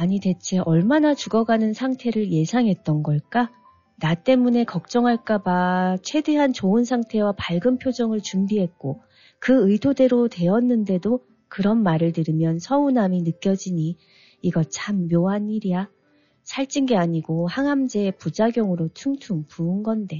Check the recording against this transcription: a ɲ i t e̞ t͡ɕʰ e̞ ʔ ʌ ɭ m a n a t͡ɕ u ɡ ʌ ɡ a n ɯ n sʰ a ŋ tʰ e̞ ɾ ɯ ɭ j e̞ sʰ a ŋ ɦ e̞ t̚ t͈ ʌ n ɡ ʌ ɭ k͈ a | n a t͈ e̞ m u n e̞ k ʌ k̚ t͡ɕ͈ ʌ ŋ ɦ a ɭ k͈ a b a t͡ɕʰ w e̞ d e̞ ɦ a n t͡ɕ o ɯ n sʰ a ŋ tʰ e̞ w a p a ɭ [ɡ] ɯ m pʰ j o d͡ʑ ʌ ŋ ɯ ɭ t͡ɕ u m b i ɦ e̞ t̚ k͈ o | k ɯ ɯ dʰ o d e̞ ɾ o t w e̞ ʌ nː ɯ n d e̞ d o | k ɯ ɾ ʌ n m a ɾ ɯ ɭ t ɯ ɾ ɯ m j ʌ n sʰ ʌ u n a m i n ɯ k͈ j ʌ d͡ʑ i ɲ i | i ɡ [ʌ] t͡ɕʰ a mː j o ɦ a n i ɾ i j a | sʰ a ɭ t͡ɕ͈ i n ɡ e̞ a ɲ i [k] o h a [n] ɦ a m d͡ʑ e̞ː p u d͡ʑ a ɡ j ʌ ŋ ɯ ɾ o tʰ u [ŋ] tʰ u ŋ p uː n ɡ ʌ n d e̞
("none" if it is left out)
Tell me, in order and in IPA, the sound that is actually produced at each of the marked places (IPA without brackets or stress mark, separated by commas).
ɡ, ʌ, ɡ, ŋ, ŋ